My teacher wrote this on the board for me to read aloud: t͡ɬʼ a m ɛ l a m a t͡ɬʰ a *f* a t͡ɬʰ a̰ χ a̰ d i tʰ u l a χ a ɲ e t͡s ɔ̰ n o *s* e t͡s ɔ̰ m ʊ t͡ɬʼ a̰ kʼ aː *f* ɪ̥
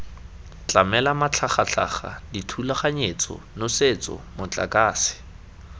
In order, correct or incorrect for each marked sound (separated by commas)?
incorrect, correct, incorrect